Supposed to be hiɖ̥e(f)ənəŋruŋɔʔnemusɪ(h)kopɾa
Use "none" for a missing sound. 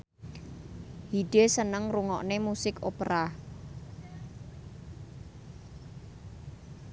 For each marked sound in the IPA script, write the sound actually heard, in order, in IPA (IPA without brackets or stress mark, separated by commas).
s, none